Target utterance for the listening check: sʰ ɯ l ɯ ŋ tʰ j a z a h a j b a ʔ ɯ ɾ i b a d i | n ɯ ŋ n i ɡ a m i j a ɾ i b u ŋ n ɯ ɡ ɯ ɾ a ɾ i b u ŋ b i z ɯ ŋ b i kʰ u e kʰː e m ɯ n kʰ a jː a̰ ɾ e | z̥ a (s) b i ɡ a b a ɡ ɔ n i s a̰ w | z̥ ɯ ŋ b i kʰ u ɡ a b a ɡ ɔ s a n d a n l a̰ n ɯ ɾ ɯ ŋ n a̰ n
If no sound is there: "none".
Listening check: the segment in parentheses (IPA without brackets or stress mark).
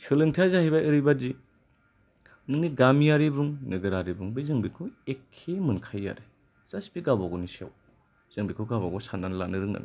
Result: s